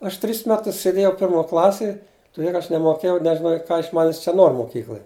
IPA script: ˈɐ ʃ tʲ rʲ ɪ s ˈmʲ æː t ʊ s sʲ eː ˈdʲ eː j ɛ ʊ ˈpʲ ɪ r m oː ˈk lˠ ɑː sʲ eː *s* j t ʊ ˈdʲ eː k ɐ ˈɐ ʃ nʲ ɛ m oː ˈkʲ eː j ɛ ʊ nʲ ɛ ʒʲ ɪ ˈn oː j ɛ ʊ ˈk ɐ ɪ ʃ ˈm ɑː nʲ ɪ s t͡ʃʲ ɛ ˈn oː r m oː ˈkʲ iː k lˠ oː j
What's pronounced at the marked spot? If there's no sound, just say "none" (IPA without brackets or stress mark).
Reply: none